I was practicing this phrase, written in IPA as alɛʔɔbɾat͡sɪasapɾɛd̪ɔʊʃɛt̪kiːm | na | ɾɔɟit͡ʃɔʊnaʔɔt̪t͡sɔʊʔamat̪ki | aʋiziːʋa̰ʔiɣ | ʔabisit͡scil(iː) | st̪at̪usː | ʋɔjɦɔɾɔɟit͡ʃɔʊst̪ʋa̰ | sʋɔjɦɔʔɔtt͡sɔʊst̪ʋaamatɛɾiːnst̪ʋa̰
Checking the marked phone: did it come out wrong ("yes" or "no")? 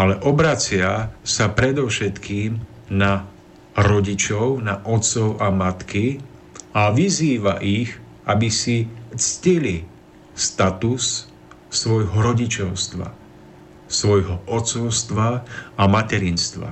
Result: yes